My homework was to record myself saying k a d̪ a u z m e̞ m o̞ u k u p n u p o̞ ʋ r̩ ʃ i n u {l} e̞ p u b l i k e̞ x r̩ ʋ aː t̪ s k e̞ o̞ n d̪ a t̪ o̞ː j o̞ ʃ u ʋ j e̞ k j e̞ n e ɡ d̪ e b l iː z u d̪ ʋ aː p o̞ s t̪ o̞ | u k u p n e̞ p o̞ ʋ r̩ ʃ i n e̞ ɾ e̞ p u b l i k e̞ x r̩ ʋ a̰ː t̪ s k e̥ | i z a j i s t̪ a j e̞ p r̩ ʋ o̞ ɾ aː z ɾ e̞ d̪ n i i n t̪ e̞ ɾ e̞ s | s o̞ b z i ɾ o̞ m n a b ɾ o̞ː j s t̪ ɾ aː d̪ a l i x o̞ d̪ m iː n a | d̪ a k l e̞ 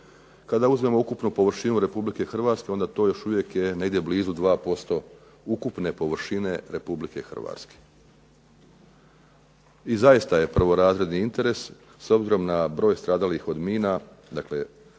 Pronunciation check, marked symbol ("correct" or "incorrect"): incorrect